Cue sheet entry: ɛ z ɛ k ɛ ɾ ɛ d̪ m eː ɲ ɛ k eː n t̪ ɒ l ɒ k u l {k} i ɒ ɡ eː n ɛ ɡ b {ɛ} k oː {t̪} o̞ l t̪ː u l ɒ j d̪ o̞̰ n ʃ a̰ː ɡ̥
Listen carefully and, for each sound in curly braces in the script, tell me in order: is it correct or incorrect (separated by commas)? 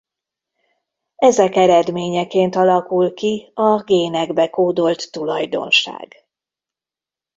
correct, correct, incorrect